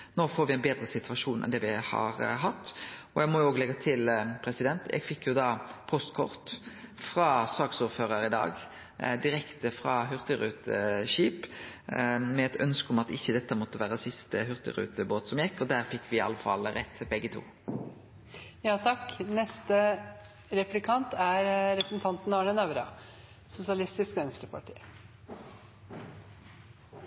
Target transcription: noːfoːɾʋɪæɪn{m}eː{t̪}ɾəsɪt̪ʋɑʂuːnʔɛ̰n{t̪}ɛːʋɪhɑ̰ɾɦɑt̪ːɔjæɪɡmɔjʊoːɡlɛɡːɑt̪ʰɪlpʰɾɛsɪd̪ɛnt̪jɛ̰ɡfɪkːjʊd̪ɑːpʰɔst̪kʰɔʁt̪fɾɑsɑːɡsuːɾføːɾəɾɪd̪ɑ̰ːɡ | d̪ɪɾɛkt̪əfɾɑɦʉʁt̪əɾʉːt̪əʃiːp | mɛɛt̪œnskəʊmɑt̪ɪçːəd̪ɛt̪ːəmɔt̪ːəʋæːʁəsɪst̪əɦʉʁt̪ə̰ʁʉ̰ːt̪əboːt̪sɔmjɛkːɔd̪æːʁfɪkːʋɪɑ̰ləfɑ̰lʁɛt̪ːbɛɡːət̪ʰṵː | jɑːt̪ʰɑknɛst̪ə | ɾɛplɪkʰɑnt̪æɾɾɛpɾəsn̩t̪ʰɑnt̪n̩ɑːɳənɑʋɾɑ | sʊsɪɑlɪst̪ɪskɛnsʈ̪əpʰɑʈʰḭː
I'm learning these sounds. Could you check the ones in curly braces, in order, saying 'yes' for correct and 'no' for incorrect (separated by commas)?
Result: no, no, no